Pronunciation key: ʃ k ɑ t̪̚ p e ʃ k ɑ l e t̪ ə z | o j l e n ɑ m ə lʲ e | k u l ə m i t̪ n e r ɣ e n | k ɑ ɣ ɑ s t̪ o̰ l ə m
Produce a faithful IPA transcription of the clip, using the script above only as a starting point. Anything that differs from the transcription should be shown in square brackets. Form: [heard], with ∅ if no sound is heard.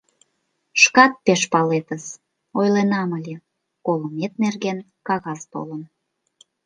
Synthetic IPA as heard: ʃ k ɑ t̪̚ p e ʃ [p] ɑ l e t̪ ə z | o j l e n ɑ m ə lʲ e | k [o] l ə m [e] t̪ n e r ɣ e n | k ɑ ɣ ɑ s t̪ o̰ l ə [n]